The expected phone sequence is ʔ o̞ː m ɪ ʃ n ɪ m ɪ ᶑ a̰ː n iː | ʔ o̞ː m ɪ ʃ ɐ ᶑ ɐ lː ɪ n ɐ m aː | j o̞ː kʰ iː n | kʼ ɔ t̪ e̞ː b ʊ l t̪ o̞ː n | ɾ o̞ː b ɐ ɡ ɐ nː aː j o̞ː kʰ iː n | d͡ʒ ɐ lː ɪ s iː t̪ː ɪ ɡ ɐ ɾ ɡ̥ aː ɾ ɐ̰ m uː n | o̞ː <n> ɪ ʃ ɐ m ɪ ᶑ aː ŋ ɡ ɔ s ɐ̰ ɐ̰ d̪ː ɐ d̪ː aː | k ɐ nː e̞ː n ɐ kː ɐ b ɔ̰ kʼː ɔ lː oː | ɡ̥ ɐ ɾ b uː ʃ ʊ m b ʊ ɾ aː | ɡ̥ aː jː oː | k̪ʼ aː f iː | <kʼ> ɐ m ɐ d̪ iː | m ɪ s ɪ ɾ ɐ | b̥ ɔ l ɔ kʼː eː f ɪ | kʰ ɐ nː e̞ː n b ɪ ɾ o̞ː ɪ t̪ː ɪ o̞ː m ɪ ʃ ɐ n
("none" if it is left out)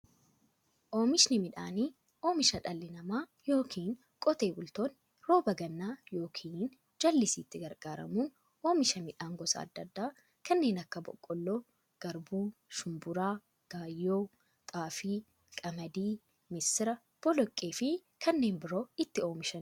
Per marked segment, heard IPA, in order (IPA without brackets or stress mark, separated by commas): m, kʼ